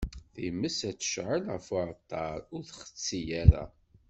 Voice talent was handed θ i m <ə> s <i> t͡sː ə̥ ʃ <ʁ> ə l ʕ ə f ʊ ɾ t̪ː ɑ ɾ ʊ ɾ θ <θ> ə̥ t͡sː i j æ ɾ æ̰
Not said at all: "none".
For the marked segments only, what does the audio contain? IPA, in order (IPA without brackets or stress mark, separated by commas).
ə, æ, ʕ, χ